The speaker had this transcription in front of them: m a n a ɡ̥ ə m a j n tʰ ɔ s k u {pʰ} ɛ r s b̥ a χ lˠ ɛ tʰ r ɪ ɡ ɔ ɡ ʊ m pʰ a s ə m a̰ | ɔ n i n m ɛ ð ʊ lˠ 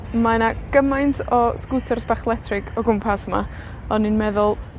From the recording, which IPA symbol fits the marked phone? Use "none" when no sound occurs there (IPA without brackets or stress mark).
tʰ